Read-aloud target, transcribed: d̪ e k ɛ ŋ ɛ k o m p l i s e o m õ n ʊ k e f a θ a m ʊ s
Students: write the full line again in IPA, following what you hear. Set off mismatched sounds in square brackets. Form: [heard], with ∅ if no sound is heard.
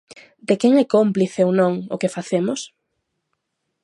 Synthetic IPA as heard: d̪ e k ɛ ŋ ɛ k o m p l i [θ] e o [n] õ [ŋ] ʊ k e f a θ [e] m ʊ s